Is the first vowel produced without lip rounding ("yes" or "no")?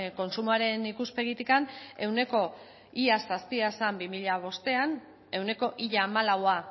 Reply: no